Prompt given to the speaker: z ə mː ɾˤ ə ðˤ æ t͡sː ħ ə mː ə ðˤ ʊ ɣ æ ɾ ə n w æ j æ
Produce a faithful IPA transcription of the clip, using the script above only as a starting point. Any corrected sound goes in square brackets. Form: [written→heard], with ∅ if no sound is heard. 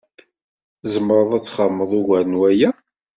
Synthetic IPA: z ə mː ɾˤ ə ðˤ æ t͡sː [ħ→χ] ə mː ə ðˤ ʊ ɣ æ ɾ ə n w æ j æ